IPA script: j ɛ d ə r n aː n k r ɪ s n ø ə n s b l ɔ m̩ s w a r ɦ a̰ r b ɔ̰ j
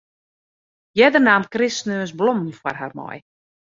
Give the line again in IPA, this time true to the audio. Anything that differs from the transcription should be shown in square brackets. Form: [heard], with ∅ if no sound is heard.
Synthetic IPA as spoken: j ɛ d ə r n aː [m] k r ɪ s n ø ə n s b l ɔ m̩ [f] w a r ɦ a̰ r [m] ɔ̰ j